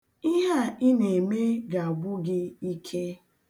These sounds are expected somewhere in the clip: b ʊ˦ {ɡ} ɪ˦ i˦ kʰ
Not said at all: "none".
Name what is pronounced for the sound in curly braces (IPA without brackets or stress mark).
ɡ